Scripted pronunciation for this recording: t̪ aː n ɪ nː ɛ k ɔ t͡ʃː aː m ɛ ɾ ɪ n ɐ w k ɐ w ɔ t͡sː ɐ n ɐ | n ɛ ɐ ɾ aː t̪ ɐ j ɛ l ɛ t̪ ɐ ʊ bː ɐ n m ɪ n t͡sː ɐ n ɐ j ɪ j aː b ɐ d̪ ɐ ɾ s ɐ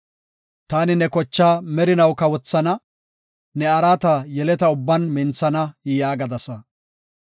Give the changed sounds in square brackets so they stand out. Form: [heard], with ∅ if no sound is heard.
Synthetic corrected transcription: t̪ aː n ɪ [n] ɛ k ɔ t͡ʃː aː m ɛ ɾ ɪ n ɐ w k ɐ w ɔ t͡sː ɐ n ɐ | n ɛ ɐ ɾ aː t̪ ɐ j ɛ l ɛ t̪ ɐ ʊ bː ɐ n m ɪ n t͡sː ɐ n ɐ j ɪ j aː [ɡ] ɐ d̪ ɐ [∅] s ɐ